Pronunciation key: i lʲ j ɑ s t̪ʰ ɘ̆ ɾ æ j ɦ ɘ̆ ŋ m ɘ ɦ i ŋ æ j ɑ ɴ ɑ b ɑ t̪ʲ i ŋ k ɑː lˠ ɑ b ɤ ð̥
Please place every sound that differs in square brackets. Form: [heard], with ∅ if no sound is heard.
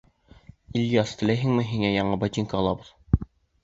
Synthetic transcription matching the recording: i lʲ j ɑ s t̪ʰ ɘ̆ [l] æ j ɦ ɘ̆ ŋ m ɘ ɦ i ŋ æ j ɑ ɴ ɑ b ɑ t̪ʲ i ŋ k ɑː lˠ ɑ b ɤ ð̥